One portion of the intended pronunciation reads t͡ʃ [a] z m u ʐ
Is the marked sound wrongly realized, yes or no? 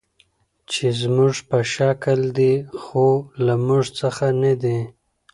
yes